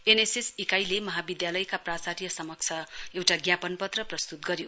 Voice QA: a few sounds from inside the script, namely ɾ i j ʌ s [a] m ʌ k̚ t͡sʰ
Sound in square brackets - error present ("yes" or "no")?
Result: yes